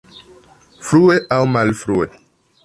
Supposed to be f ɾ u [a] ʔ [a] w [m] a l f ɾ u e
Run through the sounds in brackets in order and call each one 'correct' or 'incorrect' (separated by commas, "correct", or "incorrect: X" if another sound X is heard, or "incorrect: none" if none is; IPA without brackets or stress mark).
incorrect: e, correct, correct